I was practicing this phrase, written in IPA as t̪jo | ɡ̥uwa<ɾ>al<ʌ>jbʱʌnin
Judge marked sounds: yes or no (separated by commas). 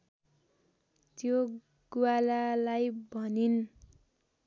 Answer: no, no